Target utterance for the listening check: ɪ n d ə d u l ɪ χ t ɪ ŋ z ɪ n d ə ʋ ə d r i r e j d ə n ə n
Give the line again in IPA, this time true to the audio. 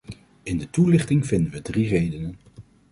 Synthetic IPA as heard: ɪ n d ə t u l ɪ χ t ɪ ŋ v ɪ n d ə ʋ ə d r i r e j d ə n ə n